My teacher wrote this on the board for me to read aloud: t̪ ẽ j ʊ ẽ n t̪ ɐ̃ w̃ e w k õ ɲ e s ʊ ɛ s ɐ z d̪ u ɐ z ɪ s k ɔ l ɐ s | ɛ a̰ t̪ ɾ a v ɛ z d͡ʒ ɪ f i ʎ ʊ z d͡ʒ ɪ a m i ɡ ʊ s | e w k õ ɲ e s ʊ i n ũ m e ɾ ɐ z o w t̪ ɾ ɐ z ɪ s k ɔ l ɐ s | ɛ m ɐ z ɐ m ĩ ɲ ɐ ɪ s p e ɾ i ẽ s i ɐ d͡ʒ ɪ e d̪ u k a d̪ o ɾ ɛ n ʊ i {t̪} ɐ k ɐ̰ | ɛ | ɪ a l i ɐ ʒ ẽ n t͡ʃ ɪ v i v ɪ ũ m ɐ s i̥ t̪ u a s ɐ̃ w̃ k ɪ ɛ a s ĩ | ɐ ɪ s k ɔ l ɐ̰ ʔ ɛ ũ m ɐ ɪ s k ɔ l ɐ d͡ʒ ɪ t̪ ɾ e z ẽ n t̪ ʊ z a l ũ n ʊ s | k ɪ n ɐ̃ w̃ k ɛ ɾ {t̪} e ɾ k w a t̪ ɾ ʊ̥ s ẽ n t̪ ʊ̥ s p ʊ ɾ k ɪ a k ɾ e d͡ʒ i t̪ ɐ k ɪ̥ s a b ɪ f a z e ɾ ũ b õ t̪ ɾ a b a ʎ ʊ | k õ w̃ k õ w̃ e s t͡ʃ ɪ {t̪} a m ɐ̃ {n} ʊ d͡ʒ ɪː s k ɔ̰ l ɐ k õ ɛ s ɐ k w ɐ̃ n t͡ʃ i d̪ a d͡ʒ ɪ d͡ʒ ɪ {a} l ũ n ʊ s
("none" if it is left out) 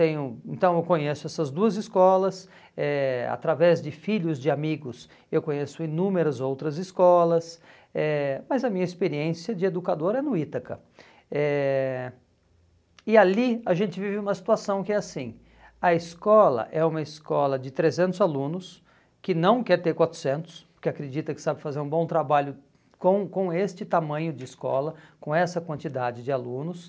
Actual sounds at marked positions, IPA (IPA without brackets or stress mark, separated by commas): t̪, t̪, t̪, ɲ, a